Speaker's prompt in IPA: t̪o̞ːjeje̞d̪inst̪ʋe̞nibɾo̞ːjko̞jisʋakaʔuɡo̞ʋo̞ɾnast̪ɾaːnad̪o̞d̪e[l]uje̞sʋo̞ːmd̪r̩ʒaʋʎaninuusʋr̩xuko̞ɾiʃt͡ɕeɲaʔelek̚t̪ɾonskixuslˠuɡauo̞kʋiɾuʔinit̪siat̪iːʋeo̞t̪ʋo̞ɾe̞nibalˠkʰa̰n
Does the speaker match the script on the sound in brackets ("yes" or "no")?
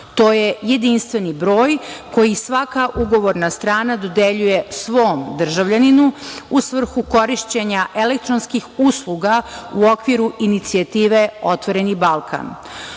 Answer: no